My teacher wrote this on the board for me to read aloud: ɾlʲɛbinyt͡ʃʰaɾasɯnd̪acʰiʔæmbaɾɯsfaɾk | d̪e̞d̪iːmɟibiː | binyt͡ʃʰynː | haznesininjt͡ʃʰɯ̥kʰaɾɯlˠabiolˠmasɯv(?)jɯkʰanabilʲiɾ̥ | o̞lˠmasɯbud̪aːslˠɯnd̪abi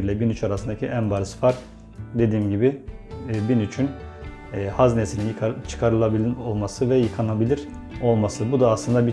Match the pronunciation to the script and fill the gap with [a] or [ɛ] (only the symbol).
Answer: ɛ